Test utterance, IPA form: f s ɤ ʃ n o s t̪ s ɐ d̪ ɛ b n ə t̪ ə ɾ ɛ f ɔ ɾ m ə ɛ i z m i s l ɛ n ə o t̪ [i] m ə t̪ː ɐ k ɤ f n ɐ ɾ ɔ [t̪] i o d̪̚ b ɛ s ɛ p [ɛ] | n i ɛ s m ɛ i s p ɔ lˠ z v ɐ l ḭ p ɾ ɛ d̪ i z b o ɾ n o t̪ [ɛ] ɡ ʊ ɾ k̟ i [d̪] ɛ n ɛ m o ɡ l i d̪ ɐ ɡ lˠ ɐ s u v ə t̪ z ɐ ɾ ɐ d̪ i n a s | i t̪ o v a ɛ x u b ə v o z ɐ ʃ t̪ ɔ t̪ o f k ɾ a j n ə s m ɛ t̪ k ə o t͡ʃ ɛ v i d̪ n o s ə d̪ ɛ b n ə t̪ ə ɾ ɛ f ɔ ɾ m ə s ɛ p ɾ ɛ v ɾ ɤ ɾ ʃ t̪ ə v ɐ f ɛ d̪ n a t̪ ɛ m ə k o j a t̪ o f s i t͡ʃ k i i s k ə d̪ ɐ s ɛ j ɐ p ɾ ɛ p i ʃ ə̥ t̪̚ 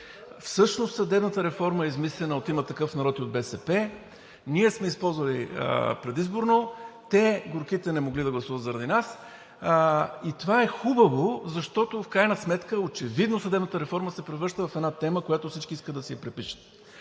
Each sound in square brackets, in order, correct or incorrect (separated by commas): correct, correct, correct, correct, incorrect